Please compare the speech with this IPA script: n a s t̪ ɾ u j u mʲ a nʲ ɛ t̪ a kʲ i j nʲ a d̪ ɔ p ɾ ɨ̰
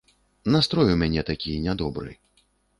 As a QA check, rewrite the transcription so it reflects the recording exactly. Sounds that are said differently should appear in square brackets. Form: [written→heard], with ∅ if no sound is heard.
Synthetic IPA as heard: n a s t̪ ɾ [u→ɔ] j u mʲ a nʲ ɛ t̪ a kʲ i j nʲ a d̪ ɔ [p→b] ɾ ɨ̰